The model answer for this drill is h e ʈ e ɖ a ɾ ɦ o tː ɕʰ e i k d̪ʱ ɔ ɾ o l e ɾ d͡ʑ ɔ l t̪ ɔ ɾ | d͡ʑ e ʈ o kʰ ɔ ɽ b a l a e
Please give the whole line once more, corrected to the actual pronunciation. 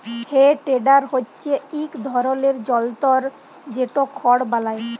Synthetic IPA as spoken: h e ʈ e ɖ a ɾ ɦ o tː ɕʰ e i k d̪ʱ ɔ ɾ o l e ɾ d͡ʑ ɔ l t̪ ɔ ɾ | d͡ʑ e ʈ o kʰ ɔ ɽ b a l a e